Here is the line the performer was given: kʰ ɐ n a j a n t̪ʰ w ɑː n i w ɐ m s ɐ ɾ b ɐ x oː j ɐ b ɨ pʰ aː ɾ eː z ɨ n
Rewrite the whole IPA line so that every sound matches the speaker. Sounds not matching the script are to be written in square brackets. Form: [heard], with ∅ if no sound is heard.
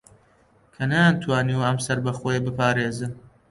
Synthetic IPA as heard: kʰ ɐ n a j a n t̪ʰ w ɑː n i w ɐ m s ɐ ɾ b ɐ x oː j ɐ b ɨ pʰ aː ɾ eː z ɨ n